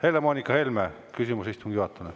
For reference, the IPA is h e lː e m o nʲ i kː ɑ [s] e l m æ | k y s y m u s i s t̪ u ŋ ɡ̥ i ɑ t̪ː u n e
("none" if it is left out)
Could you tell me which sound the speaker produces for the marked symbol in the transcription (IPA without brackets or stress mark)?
h